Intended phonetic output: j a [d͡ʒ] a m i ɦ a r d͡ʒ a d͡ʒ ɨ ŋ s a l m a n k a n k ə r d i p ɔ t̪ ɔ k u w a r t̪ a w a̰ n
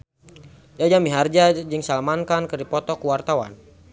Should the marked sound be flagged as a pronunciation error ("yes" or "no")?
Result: no